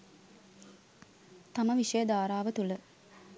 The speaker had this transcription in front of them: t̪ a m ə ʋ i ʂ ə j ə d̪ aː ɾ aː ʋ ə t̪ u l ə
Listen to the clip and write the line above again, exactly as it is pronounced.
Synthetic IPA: t̪ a m ə ʋ i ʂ ə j ə d̪ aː ɾ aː ʋ ə t̪ u l ə